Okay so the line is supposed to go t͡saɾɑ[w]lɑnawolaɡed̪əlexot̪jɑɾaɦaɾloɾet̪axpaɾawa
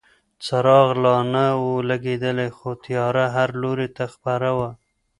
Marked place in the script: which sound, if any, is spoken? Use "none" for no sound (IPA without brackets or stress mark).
ɣ